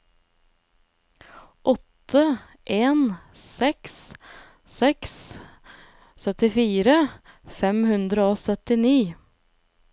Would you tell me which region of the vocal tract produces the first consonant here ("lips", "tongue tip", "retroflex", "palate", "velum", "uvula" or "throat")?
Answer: throat